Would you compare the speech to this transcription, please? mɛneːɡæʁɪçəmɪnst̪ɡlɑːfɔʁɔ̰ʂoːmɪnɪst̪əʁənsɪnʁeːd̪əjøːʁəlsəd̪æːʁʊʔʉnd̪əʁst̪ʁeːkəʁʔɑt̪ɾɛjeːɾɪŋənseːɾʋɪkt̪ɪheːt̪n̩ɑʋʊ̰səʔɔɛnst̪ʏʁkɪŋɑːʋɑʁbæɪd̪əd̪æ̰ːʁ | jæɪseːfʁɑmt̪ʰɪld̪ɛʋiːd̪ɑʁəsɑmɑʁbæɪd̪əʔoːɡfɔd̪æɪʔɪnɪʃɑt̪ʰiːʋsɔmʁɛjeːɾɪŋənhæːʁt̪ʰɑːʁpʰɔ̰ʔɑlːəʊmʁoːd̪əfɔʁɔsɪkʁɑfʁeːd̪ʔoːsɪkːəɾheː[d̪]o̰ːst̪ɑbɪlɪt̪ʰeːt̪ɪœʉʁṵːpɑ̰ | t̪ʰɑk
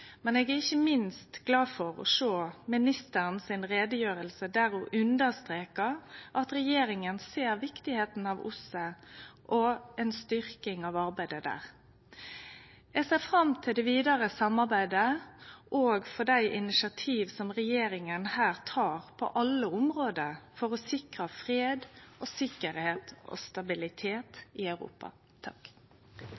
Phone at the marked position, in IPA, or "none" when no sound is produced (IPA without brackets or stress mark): t̪